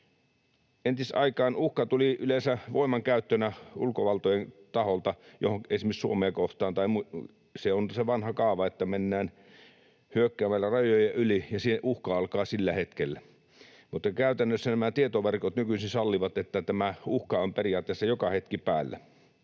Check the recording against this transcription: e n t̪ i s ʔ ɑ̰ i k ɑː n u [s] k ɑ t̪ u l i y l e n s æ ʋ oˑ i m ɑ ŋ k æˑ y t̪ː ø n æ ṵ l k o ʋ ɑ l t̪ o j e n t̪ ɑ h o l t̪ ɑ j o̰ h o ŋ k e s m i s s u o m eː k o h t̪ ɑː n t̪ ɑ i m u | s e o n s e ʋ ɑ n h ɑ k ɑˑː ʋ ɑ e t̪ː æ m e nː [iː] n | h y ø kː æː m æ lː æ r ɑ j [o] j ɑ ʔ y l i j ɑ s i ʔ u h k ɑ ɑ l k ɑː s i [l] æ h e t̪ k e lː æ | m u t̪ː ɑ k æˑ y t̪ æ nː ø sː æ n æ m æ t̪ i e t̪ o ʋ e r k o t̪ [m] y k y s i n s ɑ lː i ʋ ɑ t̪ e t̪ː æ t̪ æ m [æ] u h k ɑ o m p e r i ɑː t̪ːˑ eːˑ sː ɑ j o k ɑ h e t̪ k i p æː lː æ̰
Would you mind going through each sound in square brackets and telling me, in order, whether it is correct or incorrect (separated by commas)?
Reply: incorrect, incorrect, correct, incorrect, incorrect, correct